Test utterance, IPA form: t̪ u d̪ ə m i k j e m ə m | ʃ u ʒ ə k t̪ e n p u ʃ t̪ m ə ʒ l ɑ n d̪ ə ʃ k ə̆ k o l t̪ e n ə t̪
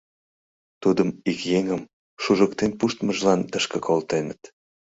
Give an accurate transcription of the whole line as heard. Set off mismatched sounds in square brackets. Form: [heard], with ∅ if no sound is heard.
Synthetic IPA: t̪ u d̪ ə m i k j e [ŋ] ə m | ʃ u ʒ ə k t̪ e n p u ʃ t̪ m ə ʒ l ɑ n [t̪] ə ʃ k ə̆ k o l t̪ e n ə t̪